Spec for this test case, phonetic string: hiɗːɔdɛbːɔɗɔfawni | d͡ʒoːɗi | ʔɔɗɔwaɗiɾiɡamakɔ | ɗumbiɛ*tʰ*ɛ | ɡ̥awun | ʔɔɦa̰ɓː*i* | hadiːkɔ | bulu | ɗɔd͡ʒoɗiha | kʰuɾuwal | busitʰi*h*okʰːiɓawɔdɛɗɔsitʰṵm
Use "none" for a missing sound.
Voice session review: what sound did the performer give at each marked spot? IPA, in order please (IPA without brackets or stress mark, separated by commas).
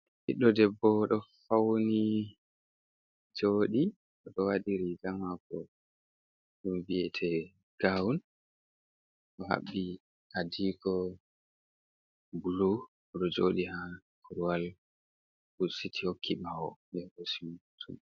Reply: tʰ, i, h